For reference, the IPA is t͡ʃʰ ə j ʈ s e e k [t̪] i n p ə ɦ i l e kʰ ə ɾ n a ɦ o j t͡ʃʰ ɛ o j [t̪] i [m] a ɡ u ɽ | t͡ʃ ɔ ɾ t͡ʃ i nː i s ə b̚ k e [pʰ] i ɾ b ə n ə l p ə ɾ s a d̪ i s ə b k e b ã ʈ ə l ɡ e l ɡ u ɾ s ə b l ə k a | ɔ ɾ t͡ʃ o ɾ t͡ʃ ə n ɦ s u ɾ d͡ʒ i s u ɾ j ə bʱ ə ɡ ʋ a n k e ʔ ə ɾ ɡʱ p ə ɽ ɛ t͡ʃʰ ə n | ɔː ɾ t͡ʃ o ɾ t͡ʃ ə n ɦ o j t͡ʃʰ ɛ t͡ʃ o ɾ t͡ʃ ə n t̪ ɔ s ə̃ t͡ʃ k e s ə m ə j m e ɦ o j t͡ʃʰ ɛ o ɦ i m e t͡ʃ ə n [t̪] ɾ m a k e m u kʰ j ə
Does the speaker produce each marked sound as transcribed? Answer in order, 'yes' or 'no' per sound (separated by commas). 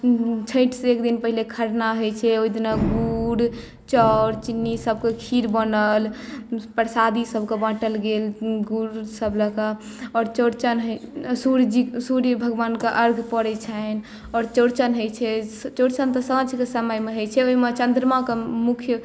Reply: no, no, no, no, no